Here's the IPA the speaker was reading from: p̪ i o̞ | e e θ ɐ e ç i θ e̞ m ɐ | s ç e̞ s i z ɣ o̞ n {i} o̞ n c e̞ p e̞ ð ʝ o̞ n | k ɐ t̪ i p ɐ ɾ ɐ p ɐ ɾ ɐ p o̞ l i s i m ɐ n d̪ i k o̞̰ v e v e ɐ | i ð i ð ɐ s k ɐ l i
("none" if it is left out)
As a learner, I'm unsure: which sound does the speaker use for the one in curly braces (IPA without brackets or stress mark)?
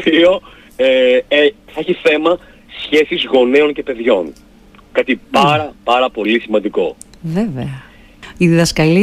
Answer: e